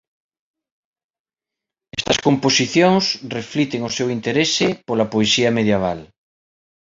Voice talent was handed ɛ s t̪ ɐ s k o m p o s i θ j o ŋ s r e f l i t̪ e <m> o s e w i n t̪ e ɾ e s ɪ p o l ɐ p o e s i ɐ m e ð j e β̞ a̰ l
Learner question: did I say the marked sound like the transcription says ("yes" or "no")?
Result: no